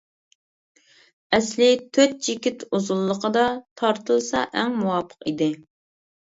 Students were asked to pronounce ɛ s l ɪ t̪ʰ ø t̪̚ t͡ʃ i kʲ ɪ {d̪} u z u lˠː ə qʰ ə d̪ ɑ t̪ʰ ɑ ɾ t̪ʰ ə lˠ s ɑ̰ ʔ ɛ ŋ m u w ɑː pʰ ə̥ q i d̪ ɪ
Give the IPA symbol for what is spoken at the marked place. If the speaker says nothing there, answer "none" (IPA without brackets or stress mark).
t̪